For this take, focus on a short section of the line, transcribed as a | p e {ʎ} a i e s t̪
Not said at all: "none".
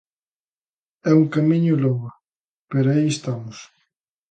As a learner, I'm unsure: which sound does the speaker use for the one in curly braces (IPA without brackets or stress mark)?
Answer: ɾ